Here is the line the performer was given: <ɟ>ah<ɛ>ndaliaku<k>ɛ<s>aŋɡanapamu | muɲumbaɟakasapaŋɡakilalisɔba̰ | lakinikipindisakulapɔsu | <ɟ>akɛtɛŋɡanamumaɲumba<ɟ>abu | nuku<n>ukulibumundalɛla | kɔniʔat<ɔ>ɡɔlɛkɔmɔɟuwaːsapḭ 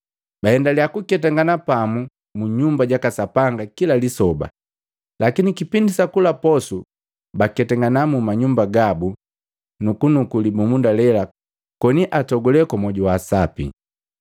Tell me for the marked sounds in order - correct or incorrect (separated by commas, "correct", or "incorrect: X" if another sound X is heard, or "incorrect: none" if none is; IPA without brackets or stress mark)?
incorrect: b, correct, correct, incorrect: t, incorrect: b, incorrect: ɡ, correct, correct